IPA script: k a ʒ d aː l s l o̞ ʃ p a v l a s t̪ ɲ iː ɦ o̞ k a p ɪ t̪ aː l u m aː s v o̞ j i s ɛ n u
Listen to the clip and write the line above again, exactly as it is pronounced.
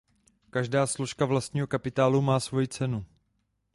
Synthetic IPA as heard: k a ʒ d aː s l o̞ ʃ k a v l a s t̪ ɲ iː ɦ o̞ k a p ɪ t̪ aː l u m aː s v o̞ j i t͡s ɛ n u